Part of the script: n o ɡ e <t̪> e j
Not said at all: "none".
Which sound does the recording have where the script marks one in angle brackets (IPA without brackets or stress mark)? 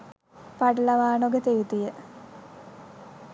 t̪